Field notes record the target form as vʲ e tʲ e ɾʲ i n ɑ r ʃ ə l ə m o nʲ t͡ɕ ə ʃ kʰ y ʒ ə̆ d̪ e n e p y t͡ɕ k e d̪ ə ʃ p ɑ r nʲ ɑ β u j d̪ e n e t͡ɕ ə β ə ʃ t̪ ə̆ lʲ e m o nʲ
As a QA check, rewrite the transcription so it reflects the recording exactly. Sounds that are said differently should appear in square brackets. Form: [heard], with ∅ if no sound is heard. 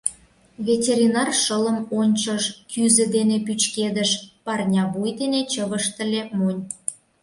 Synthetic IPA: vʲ e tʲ e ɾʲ i n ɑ r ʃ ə l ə m o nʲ t͡ɕ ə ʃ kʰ y [z] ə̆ d̪ e n e p y t͡ɕ k e d̪ ə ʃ p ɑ r nʲ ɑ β u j d̪ e n e t͡ɕ ə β ə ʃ t̪ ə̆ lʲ e m o nʲ